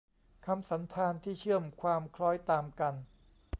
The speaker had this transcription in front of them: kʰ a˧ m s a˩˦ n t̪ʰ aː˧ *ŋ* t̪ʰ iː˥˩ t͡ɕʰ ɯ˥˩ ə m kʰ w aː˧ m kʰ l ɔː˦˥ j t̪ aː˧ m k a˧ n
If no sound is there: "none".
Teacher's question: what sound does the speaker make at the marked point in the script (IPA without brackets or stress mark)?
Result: n